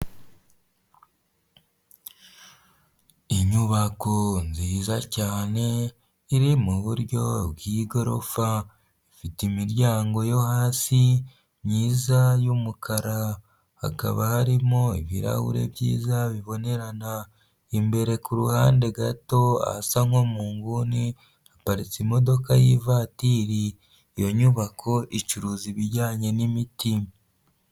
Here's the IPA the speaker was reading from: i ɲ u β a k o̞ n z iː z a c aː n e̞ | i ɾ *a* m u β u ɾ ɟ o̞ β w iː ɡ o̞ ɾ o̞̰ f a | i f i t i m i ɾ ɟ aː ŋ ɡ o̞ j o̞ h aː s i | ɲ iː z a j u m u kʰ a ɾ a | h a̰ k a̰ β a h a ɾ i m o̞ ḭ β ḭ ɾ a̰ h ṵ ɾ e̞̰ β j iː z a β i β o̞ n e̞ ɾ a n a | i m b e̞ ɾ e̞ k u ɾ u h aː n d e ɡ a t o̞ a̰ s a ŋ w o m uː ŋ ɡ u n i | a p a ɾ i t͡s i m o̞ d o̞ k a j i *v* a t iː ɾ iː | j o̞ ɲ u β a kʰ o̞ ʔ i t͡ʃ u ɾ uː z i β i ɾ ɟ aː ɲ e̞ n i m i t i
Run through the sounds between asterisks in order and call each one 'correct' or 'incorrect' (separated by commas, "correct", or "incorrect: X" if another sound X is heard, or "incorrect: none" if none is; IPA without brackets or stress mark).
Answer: incorrect: i, correct